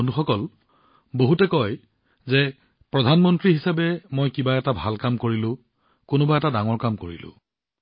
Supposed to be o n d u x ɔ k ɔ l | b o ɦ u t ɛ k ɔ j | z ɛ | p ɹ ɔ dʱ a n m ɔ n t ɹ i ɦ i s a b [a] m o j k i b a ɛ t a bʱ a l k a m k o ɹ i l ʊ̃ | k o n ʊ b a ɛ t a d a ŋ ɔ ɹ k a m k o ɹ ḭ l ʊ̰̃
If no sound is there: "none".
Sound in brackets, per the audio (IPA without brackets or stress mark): ɛ